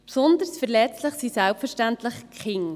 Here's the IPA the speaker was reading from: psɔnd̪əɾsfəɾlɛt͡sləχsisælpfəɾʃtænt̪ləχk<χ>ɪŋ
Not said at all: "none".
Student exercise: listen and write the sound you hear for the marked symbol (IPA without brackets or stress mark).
χ